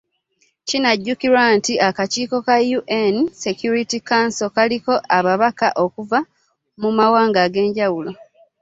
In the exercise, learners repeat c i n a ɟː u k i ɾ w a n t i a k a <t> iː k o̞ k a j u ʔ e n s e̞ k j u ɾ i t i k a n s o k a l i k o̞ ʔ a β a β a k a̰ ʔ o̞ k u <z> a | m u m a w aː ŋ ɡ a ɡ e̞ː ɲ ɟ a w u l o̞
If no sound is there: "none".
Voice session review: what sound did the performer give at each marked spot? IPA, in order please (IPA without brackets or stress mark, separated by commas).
c, v